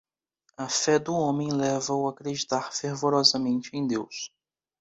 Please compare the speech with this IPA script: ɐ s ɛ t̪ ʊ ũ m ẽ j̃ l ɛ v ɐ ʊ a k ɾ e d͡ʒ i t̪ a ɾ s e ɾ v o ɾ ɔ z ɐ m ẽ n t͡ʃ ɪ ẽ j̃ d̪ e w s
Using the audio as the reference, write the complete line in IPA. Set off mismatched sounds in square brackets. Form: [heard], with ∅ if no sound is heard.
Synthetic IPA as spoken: ɐ [f] ɛ [d̪] ʊ [õ] m ẽ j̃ l ɛ v ɐ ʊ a k ɾ e d͡ʒ i t̪ a ɾ [f] e ɾ v o ɾ ɔ z ɐ m ẽ n t͡ʃ ɪ ẽ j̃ d̪ e w s